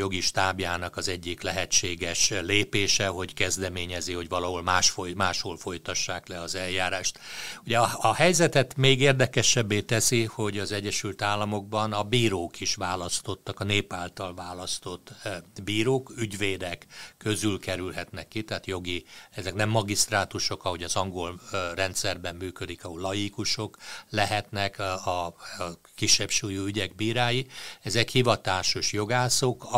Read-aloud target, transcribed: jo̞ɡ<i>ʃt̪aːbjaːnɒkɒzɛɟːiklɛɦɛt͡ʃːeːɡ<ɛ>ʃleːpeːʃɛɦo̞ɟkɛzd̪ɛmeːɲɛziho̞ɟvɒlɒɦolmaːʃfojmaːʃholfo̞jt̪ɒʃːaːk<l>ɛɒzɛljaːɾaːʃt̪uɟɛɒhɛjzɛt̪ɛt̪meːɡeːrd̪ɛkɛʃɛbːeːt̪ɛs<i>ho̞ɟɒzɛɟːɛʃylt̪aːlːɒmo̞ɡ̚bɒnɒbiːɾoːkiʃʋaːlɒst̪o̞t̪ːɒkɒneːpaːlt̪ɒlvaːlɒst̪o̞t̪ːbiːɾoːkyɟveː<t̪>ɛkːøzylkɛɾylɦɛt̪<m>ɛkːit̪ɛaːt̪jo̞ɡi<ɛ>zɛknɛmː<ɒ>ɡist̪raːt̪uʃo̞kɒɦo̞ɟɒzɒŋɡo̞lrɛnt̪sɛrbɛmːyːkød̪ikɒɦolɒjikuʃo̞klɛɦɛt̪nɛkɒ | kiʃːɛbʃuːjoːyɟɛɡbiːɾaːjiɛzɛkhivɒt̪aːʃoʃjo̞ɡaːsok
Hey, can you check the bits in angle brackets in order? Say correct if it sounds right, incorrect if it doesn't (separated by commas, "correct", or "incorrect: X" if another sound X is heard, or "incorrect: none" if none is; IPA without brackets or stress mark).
correct, correct, correct, correct, incorrect: d̪, incorrect: n, correct, correct